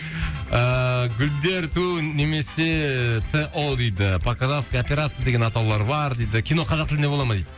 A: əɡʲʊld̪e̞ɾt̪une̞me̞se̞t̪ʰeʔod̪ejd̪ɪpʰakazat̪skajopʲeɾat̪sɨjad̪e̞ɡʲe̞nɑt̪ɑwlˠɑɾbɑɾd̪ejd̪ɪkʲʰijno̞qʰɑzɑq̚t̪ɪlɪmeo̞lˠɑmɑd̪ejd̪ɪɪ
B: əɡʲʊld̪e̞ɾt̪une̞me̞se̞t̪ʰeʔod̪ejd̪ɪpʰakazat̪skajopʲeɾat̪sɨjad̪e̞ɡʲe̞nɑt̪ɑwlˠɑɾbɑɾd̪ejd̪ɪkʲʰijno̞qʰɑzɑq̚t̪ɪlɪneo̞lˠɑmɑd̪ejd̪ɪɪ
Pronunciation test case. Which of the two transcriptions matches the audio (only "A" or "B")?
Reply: B